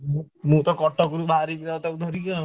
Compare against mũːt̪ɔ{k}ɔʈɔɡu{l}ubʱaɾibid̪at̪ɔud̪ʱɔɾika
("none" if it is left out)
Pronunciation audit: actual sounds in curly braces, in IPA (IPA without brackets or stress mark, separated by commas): k, ɾ